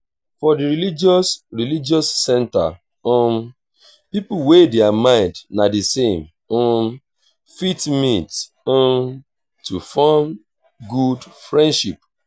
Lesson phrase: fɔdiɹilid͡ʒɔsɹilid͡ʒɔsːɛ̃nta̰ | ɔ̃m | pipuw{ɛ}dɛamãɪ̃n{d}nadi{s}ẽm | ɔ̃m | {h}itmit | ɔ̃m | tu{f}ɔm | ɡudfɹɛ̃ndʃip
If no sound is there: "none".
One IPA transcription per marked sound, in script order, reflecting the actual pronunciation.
e, d, s, f, f

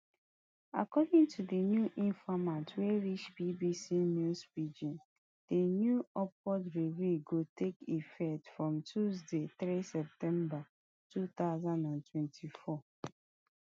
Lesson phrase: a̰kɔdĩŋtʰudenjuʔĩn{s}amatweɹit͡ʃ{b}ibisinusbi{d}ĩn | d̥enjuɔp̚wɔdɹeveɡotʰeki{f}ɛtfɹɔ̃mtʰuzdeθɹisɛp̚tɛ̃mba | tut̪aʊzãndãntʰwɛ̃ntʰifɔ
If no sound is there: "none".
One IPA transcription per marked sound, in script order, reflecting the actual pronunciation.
f, b, d͡ʒ, f

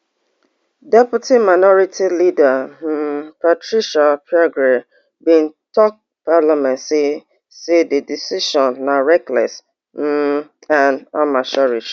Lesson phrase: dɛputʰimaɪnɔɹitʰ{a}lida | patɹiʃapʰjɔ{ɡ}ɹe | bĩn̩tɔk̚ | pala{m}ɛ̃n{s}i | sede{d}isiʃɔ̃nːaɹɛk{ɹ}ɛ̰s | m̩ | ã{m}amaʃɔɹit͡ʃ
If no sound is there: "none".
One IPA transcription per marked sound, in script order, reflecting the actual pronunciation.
i, ɡ, m, s, d, l, n

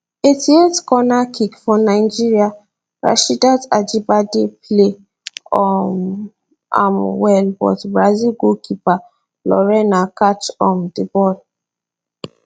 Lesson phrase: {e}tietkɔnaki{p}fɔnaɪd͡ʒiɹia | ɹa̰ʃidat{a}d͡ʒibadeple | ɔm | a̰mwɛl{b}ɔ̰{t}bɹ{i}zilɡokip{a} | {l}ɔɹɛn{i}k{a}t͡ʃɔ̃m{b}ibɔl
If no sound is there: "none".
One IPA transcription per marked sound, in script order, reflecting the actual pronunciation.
e, k, a, b, t, a, a, l, a, a, d

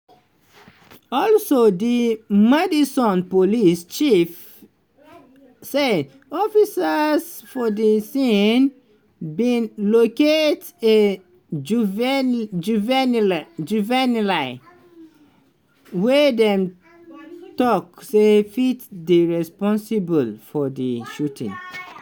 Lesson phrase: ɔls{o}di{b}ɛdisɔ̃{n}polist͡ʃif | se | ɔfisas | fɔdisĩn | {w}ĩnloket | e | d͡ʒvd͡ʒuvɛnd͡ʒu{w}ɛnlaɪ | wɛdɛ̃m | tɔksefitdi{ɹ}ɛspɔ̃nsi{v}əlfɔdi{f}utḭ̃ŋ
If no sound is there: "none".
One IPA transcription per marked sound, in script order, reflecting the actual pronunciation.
o, m, n, b, v, ɹ, b, ʃ

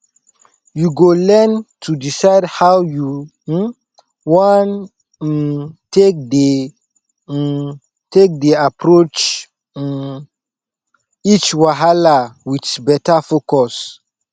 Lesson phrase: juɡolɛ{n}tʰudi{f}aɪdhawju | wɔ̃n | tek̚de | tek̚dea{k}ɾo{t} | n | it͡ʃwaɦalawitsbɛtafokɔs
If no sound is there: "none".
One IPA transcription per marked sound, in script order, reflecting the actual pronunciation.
n, s, p, t͡ʃ

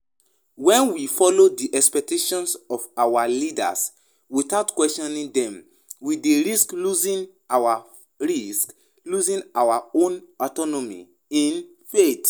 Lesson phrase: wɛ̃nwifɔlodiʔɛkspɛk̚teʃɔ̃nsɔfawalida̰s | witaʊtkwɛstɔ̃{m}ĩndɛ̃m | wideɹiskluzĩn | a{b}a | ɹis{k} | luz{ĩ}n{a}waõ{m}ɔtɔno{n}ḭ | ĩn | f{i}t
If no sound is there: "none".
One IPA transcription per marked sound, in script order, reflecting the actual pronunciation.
n, w, k, ĩ, a, n, m, e

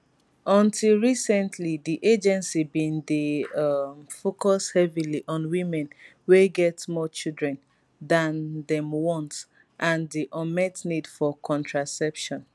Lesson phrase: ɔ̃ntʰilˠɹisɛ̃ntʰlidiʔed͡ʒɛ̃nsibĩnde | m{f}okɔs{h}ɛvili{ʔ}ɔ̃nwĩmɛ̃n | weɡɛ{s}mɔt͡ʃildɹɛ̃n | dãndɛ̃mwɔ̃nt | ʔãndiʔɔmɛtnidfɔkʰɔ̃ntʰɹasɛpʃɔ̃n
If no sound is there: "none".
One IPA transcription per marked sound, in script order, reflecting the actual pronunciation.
f, h, ʔ, t

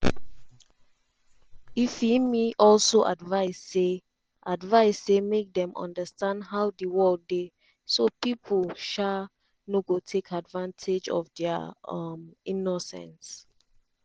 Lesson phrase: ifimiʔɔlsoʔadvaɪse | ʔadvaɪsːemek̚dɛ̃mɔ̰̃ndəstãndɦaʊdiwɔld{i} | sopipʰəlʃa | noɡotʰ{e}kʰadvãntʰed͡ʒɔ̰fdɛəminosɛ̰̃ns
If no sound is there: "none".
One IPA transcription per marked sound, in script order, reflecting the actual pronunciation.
e, e

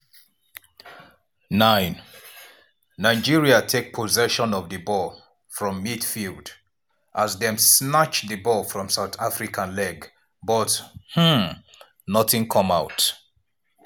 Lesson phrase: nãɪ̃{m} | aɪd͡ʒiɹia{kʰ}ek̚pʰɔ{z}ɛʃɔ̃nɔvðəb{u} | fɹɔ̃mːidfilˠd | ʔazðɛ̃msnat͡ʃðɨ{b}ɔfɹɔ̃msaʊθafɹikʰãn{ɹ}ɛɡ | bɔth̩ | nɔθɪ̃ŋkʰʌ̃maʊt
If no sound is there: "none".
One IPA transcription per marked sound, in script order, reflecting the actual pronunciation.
n, tʰ, z, ɔ, b, l

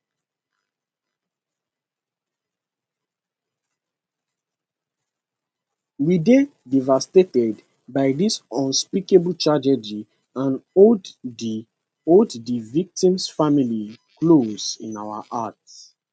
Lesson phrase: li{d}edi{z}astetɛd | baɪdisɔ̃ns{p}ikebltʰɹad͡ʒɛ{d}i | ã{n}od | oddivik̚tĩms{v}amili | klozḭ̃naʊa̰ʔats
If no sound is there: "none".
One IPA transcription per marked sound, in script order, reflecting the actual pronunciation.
d, v, p, d͡ʒ, n, f

